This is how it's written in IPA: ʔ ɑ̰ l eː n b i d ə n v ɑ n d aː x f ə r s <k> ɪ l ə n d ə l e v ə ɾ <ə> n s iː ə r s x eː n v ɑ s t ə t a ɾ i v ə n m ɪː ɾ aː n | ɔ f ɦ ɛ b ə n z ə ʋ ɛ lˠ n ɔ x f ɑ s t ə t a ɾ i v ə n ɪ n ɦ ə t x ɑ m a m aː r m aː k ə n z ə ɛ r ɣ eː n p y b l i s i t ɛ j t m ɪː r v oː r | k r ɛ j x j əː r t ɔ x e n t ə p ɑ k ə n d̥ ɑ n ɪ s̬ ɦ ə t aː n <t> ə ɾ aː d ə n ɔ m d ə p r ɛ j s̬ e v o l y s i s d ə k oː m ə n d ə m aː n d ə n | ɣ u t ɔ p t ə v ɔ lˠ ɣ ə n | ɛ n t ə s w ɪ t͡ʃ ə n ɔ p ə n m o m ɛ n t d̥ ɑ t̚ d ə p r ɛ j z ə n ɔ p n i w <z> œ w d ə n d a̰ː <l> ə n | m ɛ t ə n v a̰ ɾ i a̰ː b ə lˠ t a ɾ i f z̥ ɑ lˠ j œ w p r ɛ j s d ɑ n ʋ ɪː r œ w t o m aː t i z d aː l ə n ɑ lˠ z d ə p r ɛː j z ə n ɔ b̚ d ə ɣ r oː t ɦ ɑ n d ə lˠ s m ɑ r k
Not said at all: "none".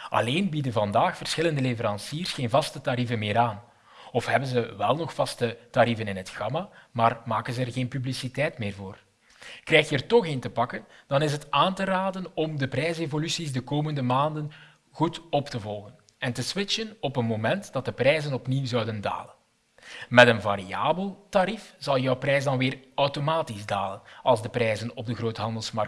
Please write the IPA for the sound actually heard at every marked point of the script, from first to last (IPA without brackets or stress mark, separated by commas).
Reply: x, ɑ, t, z, l